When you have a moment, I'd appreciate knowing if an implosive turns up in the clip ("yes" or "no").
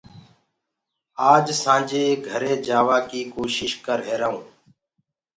no